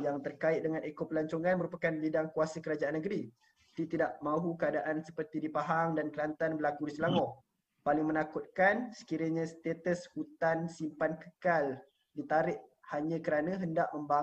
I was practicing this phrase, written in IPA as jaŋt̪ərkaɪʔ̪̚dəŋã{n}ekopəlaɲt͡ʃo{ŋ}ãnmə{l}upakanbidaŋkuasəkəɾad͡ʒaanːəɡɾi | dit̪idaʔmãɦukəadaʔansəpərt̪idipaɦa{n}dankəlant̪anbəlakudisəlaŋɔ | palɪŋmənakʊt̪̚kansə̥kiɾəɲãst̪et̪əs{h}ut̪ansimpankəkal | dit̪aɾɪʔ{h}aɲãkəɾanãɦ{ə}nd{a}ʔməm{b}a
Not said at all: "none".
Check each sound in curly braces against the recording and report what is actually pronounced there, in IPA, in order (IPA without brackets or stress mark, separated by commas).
n, ŋ, ɾ, ŋ, h, h, ə, a, b